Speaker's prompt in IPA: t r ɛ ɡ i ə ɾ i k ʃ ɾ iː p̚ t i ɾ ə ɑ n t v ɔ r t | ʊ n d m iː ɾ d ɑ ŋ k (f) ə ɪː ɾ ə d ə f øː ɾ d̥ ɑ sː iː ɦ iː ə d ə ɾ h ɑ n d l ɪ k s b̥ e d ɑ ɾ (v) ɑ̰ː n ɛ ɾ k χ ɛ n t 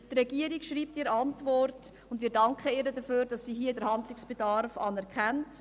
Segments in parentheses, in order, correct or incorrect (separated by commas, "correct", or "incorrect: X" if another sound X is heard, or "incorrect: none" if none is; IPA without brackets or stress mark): incorrect: χ, incorrect: f